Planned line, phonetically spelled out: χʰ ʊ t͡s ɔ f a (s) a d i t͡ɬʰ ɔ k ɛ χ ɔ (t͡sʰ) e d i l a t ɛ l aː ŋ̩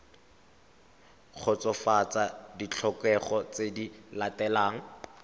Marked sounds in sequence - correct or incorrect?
incorrect: t͡s, incorrect: t͡s

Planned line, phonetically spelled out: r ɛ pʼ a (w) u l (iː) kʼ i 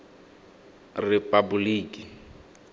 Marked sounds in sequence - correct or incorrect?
incorrect: b, correct

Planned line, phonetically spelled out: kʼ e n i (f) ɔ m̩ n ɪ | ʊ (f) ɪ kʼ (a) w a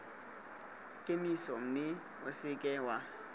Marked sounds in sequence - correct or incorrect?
incorrect: s, incorrect: s, incorrect: ɛ

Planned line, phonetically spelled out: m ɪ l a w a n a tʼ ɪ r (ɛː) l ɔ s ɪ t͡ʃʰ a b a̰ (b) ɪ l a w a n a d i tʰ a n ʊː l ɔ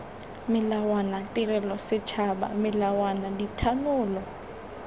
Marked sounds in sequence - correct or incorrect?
incorrect: ɛ, incorrect: m

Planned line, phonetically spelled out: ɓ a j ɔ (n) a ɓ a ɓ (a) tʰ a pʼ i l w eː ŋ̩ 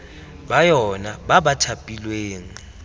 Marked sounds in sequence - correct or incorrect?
correct, correct

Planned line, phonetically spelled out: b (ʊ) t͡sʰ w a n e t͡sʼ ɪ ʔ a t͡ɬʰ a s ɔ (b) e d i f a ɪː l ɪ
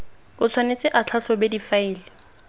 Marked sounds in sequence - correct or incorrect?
correct, correct

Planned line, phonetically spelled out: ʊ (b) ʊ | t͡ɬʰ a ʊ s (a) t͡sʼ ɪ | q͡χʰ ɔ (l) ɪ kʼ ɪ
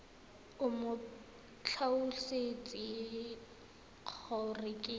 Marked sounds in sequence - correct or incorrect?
incorrect: m, incorrect: e, incorrect: r

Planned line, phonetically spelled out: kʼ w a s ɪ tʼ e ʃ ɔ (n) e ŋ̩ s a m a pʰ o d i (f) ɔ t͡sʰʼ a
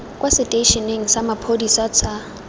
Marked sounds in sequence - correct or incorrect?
correct, incorrect: s

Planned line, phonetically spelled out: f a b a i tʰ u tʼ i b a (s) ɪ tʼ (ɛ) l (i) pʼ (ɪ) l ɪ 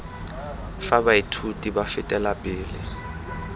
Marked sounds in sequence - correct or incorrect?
incorrect: f, correct, incorrect: a, incorrect: ɪː

